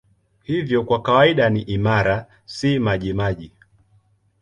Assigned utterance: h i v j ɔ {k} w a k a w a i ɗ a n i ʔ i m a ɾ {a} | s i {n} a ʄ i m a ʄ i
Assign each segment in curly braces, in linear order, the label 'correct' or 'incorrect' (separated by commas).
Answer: correct, correct, incorrect